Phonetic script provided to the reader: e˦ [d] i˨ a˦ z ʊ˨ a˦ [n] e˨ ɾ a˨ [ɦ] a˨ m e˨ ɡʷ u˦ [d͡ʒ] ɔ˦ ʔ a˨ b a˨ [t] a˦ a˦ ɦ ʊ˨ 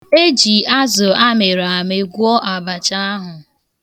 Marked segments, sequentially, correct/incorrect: incorrect, incorrect, incorrect, incorrect, incorrect

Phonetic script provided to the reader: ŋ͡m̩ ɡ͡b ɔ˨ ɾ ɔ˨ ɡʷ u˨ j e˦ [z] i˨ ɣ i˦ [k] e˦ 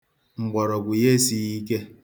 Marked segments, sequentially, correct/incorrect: incorrect, correct

